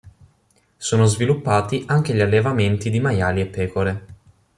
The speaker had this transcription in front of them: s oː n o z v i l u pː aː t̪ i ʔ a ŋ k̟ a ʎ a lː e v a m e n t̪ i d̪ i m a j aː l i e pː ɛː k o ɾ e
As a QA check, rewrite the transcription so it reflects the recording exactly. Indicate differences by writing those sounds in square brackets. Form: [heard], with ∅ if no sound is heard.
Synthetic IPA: s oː n o z v i l u pː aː t̪ i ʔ a ŋ k̟ [e] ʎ a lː e v a m e n t̪ i d̪ i m a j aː l i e pː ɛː k o ɾ e